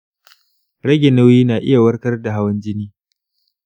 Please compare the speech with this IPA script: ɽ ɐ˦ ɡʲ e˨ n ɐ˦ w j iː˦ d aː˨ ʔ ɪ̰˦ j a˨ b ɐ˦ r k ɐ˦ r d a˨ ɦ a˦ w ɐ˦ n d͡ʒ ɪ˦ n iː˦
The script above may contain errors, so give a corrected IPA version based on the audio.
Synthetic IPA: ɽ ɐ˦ ɡʲ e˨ n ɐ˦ w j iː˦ n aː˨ ʔ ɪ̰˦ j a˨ w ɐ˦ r k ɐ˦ r d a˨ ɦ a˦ w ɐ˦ n d͡ʒ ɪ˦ n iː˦